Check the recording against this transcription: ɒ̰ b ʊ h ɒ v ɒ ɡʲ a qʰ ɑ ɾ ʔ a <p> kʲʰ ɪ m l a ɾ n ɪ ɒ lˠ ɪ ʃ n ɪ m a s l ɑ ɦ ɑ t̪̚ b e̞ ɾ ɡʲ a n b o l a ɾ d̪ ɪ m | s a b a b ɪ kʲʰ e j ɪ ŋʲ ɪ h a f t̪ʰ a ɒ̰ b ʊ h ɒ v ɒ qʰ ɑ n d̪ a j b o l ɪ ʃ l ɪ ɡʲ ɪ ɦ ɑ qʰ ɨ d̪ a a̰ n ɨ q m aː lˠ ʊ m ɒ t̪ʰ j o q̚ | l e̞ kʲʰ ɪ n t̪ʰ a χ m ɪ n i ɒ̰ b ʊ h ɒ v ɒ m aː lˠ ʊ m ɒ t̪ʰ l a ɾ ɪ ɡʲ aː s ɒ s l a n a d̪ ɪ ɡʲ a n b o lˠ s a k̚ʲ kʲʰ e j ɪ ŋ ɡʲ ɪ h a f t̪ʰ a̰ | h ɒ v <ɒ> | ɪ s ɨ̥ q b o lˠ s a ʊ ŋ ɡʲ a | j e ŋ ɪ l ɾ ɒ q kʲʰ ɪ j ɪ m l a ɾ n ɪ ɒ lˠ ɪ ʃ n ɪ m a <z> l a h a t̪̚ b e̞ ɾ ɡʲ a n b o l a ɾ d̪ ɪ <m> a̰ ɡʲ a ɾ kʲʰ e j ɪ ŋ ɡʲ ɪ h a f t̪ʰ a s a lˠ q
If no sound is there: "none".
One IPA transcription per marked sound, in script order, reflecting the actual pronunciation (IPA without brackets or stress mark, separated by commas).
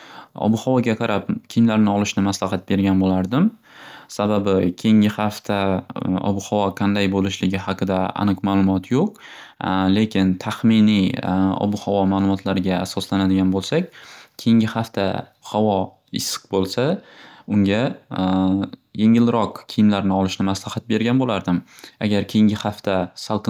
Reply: p, ɒ, s, m